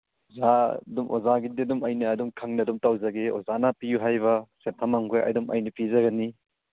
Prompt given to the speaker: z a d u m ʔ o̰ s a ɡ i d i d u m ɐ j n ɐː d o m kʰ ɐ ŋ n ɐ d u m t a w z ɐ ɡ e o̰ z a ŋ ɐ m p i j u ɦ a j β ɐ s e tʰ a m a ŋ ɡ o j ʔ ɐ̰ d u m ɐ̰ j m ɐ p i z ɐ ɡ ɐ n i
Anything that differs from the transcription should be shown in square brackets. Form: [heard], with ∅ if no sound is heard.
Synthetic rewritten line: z a d u m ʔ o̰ [z] a ɡ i d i d u m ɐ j n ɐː d [u] m kʰ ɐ ŋ n ɐ d u m t a w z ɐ ɡ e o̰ z a [n] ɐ [∅] p i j u ɦ a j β ɐ s e tʰ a m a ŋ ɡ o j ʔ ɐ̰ d u m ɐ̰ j [n] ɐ p i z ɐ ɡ ɐ n i